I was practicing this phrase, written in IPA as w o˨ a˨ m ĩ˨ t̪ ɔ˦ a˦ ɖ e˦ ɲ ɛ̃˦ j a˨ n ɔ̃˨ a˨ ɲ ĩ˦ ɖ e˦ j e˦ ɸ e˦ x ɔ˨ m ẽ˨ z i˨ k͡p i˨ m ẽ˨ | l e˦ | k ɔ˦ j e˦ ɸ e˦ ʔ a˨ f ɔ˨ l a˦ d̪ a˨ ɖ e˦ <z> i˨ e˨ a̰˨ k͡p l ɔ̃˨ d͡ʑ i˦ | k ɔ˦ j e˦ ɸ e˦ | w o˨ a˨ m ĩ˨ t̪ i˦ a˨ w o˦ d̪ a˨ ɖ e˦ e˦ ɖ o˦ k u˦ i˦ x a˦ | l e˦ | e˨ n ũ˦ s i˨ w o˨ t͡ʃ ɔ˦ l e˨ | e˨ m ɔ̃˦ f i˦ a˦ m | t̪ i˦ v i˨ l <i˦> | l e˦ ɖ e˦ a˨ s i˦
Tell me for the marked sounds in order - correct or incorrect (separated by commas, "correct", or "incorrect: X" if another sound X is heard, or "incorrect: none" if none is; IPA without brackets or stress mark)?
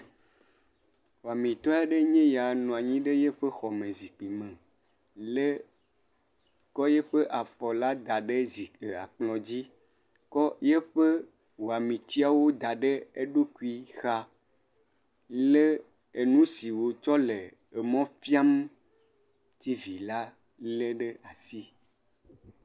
correct, incorrect: a˦